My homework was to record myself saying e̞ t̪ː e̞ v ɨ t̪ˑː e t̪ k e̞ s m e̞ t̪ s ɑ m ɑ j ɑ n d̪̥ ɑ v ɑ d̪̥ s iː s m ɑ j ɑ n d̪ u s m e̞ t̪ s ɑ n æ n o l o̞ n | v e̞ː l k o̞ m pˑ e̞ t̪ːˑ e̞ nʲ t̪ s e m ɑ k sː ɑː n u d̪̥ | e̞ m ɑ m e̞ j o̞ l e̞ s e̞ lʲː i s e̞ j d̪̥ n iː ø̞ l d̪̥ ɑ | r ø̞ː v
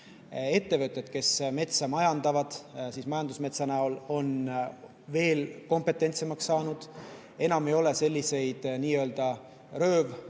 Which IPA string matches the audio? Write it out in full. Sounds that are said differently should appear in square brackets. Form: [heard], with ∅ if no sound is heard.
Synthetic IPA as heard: e̞ t̪ː e̞ v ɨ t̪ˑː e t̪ k e̞ s m e̞ t̪ s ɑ m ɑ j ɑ n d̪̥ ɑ v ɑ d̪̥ s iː s m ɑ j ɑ n d̪ u s m e̞ t̪ s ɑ n æ [∅] o l o̞ n | v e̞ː l k o̞ m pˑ e̞ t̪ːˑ e̞ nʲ t̪ s e m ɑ k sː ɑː n u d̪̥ | e̞ [n] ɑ m e̞ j o̞ l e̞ s e̞ lʲː i s e̞ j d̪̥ n iː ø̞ l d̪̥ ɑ | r ø̞ː v